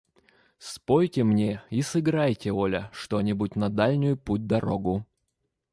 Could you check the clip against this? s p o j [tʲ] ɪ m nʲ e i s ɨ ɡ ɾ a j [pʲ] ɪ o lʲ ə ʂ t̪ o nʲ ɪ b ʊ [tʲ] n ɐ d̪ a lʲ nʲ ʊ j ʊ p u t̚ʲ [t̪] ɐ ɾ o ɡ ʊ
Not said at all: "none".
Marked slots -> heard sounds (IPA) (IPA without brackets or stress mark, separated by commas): tʲ, tʲ, tʲ, d̪